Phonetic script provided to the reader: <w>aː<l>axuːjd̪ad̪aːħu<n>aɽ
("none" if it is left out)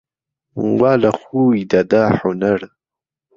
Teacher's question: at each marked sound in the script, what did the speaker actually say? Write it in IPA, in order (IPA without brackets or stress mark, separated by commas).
w, l, n